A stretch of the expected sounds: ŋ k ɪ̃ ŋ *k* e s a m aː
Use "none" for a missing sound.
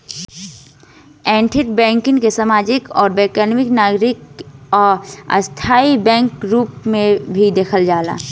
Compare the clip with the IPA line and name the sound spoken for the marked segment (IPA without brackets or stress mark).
k